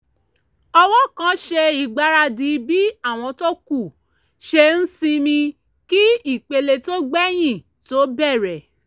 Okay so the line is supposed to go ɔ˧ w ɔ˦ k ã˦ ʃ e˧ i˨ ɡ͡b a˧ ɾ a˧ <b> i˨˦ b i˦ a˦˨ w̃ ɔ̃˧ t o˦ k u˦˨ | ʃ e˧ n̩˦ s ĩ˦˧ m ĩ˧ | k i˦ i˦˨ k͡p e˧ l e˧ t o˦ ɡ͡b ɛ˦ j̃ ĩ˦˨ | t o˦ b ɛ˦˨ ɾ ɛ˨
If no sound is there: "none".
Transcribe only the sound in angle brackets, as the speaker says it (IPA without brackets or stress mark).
d